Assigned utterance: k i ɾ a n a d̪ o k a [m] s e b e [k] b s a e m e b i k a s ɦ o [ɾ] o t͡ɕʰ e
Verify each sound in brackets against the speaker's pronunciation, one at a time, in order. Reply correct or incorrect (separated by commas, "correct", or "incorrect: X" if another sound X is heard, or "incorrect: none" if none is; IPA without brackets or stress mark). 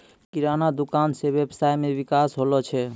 incorrect: n, incorrect: none, incorrect: l